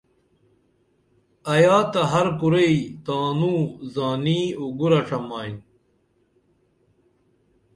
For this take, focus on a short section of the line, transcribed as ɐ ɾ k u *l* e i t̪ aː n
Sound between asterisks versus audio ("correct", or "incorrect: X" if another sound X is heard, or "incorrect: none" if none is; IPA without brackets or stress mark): incorrect: ɾ